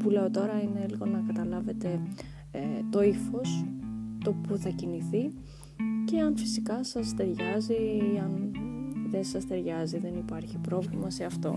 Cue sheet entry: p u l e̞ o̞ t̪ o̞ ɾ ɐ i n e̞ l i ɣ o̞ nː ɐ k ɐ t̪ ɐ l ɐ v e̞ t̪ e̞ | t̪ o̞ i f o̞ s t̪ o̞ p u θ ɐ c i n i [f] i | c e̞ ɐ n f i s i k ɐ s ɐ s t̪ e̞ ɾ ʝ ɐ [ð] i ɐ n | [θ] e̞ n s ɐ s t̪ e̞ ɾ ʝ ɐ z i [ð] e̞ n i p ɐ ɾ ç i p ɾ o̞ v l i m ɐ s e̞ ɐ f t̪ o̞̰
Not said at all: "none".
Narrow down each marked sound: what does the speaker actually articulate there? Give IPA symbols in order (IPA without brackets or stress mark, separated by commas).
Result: θ, z, ð, ð